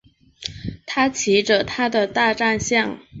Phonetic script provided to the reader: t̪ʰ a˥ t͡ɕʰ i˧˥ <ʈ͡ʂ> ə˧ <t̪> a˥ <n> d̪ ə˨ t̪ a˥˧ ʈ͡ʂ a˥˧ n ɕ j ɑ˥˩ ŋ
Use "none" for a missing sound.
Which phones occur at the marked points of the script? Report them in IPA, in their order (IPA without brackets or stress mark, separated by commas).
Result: ʈ͡ʂ, t̪ʰ, none